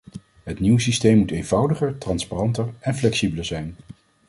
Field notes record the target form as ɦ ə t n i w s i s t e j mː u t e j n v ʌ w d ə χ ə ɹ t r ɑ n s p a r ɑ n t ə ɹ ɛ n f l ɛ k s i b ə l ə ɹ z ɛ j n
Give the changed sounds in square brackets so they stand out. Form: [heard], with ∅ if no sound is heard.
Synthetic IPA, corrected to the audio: ɦ ə t n i w s i s t e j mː u t e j n v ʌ w d ə χ ə ɹ t r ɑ n s p a r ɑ n t ə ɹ ɛ n f l ɛ k s i b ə l ə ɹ z ɛ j n